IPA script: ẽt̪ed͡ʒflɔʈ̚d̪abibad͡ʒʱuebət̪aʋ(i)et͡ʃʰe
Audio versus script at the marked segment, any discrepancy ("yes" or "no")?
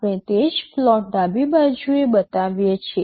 yes